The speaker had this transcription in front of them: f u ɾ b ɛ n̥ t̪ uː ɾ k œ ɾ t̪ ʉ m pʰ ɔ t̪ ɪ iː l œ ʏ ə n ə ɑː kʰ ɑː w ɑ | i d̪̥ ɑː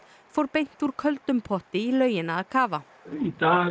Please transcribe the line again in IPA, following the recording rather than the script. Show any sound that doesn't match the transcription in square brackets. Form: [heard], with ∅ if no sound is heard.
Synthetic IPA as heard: f [ɔ] ɾ b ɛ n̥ t̪ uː ɾ [kʰ] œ [l] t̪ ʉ m pʰ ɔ t̪ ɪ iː l œ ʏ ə n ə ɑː kʰ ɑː [ʋ] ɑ | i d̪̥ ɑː